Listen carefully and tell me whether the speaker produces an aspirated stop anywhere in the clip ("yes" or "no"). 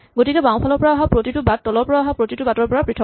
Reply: yes